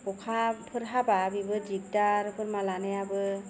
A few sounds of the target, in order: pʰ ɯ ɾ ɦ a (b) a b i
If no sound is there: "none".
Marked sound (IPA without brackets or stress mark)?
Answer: b